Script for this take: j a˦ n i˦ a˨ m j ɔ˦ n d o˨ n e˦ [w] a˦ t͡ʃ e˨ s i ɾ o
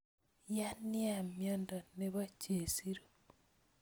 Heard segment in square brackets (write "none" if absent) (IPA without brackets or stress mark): β